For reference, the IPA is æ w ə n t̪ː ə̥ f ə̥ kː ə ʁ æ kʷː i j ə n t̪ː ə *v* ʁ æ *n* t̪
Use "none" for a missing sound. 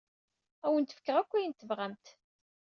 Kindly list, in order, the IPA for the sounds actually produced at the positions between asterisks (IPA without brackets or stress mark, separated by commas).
v, m